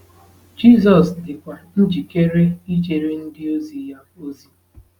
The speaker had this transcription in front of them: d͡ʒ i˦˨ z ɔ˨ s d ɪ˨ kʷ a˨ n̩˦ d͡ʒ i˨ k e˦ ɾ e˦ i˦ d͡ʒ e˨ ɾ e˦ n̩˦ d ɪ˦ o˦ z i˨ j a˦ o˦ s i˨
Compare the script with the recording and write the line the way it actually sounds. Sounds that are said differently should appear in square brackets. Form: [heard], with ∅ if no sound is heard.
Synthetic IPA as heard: d͡ʒ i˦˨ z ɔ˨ s d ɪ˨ kʷ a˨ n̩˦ d͡ʒ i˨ k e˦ ɾ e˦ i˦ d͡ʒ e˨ ɾ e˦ n̩˦ d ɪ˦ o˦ z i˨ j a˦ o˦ [z] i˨